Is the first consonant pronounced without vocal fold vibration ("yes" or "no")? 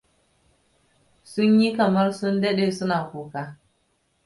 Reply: yes